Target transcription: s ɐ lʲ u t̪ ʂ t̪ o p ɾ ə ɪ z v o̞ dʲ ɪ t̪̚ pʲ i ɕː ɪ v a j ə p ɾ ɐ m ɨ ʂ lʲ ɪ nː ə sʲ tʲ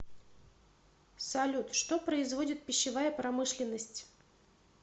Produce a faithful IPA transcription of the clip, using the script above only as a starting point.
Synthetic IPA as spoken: s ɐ lʲ u t̪ ʂ t̪ o p ɾ ə ɪ z v o̞ dʲ ɪ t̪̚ pʲ ɪ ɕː ɪ v a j ə p ɾ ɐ m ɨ ʂ lʲ ɪ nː ə sʲ tʲ